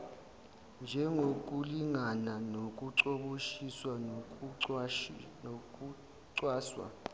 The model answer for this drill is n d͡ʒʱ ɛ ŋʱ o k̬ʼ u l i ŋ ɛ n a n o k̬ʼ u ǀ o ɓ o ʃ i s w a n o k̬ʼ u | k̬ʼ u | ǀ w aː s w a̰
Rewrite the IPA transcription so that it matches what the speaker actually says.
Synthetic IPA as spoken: n d͡ʒʱ ɛ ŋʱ o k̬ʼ u l i ŋ a n a n o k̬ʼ u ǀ o ɓ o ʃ i s w a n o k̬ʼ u | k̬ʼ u | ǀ w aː s w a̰